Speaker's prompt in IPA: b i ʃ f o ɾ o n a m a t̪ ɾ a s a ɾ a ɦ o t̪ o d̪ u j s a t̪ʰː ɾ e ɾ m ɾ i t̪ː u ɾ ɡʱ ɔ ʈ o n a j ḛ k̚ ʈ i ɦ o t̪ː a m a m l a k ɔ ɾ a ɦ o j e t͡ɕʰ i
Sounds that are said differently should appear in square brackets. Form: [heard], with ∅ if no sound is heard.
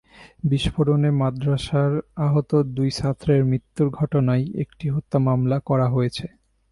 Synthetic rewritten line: b i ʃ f o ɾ o n [e] m a [d̪] ɾ a [ʃ] a ɾ a ɦ o t̪ o d̪ u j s a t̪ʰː ɾ e ɾ m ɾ i t̪ː u ɾ ɡʱ ɔ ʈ o n a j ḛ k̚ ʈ i ɦ o t̪ː a m a m l a k ɔ ɾ a ɦ o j e t͡ɕʰ [e]